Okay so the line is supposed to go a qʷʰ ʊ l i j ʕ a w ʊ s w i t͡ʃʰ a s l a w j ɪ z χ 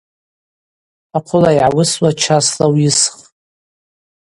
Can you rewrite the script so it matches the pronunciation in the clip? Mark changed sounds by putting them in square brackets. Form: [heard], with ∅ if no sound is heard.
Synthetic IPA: a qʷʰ ʊ l [a] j ʕ a w ʊ s w [a] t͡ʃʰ a s l a w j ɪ [s] χ